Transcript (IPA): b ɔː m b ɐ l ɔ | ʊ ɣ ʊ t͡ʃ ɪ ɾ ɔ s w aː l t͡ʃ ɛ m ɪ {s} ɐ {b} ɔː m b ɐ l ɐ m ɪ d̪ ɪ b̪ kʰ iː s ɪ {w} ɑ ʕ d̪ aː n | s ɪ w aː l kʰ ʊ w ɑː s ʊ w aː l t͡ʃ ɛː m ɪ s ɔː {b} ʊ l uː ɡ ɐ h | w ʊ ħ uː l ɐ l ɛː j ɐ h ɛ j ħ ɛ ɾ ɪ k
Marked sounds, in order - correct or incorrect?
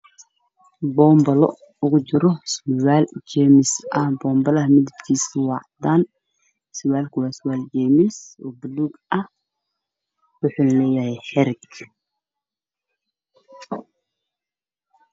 correct, correct, correct, correct

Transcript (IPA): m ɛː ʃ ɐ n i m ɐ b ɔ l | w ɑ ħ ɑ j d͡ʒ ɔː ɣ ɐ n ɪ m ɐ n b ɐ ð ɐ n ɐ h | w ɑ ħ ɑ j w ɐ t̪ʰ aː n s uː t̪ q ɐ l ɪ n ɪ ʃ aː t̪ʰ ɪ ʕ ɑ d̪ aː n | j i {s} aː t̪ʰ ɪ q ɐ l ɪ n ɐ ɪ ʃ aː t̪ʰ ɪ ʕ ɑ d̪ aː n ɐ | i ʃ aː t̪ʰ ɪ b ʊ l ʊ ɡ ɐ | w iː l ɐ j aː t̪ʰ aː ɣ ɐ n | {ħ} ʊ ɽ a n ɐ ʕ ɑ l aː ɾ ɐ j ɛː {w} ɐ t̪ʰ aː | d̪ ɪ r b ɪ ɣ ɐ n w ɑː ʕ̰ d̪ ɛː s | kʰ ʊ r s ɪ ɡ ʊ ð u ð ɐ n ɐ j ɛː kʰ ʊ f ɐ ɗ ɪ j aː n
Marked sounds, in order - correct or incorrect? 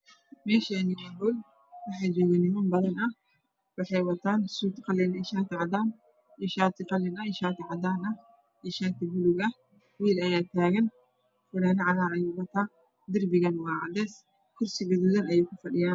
incorrect, incorrect, correct

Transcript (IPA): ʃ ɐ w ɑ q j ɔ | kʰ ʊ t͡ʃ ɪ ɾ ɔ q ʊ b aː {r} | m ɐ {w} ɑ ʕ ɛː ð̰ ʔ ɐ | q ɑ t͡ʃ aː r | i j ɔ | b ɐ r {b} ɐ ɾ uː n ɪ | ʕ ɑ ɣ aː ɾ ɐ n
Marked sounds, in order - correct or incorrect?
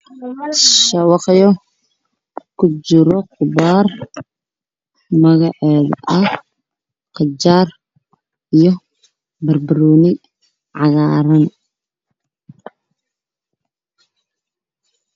correct, incorrect, correct

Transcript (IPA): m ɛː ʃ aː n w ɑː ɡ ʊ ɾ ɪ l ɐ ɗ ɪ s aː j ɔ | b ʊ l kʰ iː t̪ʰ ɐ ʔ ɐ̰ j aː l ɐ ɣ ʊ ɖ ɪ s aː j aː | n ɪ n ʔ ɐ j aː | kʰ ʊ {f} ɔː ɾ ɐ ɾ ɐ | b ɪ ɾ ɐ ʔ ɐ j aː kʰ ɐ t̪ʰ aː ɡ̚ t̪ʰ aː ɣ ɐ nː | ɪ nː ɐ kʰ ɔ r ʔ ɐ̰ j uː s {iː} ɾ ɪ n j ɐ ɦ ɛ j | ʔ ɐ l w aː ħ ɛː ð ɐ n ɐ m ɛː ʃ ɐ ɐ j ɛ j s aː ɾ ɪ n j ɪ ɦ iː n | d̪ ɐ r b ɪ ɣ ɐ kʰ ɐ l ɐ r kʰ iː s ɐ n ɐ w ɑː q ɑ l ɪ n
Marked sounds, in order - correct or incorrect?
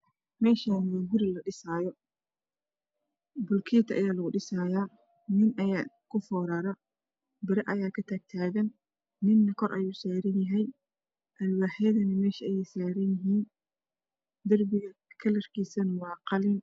correct, incorrect

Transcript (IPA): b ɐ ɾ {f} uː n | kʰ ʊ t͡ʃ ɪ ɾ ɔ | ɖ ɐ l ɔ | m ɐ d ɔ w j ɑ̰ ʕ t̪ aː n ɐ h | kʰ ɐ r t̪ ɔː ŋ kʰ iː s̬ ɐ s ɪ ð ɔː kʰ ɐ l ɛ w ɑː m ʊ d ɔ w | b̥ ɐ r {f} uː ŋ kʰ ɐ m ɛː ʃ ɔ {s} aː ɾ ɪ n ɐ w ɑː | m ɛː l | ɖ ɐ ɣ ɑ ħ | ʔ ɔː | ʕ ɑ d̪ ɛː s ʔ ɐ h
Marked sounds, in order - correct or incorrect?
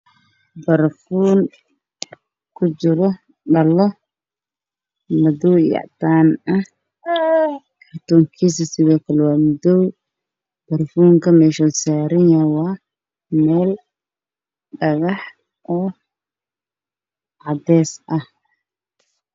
correct, correct, correct

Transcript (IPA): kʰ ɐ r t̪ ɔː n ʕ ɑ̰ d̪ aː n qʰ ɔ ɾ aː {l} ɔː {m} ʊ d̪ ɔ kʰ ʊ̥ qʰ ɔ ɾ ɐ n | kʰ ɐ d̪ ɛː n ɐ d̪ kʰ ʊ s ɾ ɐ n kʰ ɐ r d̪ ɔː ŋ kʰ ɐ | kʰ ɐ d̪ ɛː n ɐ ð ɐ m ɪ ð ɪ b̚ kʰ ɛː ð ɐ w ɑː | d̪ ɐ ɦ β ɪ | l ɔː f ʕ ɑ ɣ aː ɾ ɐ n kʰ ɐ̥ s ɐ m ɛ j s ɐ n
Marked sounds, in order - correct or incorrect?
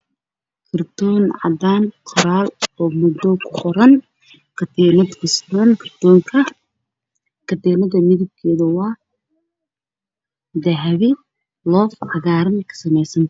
correct, correct

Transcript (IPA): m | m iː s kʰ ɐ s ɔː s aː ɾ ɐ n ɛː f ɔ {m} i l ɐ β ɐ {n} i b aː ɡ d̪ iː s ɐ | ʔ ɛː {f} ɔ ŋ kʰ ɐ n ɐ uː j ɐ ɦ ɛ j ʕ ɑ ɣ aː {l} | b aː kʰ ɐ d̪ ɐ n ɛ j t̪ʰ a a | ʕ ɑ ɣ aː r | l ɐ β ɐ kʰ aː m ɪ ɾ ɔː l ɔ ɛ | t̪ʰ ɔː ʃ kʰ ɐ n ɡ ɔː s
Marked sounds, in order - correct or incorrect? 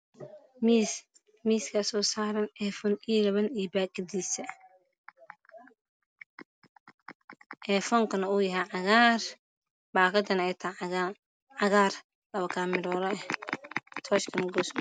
incorrect, correct, correct, incorrect

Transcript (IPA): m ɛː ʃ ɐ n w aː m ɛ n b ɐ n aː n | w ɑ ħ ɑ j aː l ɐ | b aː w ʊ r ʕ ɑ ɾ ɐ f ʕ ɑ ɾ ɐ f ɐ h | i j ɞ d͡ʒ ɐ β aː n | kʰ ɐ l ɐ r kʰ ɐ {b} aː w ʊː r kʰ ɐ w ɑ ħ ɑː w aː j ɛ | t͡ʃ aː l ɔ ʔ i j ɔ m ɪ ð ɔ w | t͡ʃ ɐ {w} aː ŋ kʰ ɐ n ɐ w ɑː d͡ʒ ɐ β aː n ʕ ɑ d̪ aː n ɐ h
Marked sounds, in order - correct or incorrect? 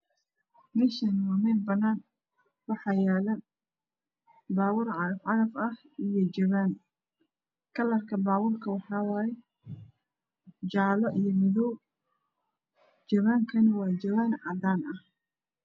correct, incorrect

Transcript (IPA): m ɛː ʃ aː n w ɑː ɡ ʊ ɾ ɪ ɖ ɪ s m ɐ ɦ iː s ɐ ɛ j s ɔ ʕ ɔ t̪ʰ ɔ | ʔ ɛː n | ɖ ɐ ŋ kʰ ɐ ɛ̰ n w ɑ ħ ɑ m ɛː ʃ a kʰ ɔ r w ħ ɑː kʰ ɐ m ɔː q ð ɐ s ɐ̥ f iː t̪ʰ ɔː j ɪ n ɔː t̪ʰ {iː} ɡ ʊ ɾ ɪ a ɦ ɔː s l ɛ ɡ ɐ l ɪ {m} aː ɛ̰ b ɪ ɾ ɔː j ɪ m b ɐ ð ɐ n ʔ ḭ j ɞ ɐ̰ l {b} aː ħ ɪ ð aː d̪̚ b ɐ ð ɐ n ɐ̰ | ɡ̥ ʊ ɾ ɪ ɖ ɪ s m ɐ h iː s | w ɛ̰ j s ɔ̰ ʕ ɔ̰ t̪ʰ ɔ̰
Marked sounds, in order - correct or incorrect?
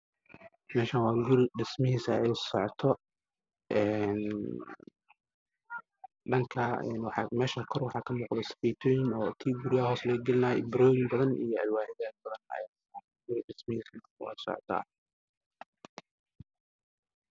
correct, incorrect, incorrect

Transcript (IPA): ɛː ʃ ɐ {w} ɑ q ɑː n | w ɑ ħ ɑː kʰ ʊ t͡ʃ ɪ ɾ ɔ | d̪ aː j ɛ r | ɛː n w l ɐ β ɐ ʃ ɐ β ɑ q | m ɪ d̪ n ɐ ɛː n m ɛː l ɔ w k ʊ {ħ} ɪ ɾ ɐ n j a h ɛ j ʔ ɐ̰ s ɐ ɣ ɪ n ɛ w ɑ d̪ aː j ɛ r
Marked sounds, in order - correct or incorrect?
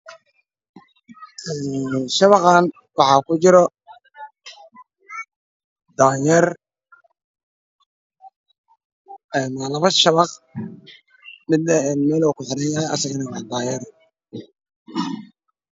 incorrect, correct

